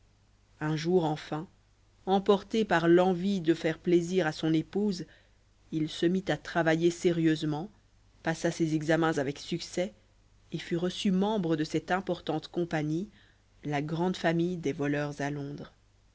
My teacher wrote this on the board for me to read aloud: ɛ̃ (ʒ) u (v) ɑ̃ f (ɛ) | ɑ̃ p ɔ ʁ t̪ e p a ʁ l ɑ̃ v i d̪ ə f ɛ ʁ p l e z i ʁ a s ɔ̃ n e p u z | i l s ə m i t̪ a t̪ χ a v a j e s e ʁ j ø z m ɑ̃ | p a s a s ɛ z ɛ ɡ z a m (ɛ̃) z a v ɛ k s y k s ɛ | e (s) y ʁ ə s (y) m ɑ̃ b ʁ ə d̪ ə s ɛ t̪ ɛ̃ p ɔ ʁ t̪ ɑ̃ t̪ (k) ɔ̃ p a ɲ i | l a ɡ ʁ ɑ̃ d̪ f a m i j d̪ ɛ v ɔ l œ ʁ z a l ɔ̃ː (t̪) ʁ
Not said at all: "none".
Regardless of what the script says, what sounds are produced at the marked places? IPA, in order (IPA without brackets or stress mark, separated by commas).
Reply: ʒ, ʁ, ɛ̃, ɛ̃, f, y, k, d̪